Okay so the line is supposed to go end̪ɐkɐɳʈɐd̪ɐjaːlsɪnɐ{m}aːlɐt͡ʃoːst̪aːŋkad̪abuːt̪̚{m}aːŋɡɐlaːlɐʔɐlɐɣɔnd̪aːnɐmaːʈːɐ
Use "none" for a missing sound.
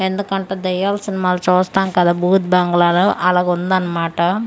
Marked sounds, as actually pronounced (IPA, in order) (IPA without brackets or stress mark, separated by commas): m, b